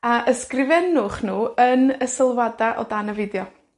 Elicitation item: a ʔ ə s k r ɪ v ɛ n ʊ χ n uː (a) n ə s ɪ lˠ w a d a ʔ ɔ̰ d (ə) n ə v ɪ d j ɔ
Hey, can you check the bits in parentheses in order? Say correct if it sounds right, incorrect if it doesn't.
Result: incorrect: ə, incorrect: a

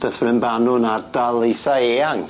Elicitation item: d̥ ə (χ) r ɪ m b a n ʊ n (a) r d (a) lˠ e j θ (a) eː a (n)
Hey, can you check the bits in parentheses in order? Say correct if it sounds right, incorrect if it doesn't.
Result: incorrect: f, correct, correct, correct, incorrect: ŋ

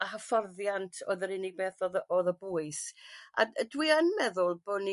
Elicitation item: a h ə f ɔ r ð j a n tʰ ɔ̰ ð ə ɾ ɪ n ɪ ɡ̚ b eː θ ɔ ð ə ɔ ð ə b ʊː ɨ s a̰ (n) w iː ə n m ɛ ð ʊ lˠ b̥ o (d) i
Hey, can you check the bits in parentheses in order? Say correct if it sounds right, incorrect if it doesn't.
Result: incorrect: d, incorrect: n

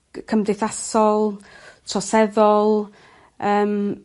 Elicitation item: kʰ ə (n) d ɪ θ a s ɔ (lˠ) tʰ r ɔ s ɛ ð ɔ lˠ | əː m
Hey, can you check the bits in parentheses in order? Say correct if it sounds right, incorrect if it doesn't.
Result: incorrect: m, correct

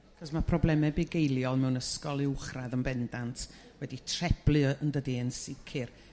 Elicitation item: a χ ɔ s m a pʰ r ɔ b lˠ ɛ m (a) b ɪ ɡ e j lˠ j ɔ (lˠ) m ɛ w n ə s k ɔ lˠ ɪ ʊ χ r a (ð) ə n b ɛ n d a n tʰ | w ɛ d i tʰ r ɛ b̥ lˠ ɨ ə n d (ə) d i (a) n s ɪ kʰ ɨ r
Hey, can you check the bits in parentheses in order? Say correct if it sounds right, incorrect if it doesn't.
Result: incorrect: ɛ, correct, correct, correct, incorrect: ə

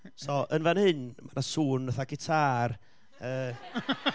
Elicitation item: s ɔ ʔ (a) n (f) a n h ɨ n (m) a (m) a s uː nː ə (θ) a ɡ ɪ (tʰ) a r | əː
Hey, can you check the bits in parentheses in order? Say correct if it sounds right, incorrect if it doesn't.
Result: incorrect: ə, incorrect: v, correct, incorrect: n, correct, correct

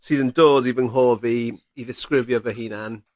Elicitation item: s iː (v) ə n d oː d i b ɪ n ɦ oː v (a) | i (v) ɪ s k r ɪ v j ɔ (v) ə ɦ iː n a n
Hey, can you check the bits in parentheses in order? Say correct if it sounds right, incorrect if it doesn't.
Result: incorrect: ð, incorrect: i, incorrect: ð, correct

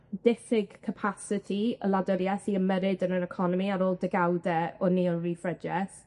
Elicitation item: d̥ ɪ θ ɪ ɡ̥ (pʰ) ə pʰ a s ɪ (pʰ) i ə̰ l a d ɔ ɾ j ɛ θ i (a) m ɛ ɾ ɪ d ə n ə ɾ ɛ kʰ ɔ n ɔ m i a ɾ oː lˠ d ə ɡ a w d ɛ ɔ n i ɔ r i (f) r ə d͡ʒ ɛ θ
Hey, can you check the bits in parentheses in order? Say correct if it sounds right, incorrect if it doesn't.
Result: incorrect: kʰ, incorrect: tʰ, incorrect: ə, correct

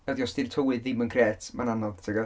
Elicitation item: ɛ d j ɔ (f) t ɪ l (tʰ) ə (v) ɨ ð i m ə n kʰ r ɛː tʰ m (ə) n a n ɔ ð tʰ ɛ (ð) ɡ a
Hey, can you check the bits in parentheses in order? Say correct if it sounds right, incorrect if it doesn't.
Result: incorrect: s, correct, incorrect: w, incorrect: a, incorrect: none

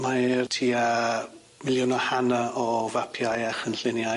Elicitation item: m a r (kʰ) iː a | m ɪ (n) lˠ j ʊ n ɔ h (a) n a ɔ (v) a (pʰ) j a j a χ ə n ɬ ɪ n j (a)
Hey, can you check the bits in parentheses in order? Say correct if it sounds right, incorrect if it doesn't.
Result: incorrect: tʰ, incorrect: none, correct, correct, correct, correct

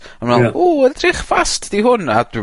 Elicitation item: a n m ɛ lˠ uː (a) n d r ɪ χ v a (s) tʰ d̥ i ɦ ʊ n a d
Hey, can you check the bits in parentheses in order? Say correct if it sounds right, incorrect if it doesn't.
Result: incorrect: ə, correct

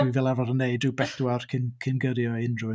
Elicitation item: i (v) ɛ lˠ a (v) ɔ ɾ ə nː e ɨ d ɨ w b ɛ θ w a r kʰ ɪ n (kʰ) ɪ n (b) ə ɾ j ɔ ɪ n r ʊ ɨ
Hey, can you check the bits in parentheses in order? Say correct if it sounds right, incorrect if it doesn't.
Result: correct, correct, correct, incorrect: ɡ

